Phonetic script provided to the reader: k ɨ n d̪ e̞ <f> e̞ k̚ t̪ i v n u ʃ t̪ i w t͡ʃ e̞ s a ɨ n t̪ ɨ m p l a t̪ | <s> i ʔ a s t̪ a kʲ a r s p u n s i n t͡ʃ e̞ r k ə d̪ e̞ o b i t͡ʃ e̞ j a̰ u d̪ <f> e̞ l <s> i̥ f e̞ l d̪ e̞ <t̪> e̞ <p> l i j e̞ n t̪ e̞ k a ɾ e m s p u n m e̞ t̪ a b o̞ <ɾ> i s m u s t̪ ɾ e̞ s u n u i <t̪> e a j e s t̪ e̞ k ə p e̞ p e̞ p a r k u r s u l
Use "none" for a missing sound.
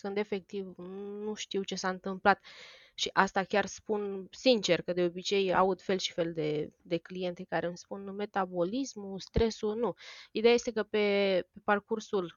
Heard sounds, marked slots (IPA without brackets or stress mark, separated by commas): f, ʃ, f, ʃ, d̪, k, l, d̪